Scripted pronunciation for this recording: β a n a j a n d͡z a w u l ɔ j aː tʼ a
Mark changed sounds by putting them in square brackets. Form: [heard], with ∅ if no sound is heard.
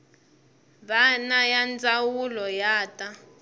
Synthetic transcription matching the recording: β a n a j a n d͡z a w u l ɔ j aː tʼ a